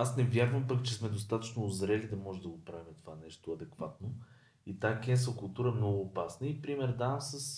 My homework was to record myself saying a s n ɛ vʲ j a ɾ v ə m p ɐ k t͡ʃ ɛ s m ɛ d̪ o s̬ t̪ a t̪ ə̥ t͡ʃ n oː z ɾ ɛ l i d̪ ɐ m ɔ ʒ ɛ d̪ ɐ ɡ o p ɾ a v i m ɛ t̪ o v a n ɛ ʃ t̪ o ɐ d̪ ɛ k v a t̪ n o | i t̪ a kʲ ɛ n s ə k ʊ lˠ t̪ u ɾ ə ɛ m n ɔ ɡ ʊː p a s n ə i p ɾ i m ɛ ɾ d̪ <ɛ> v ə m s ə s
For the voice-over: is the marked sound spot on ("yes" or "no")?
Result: no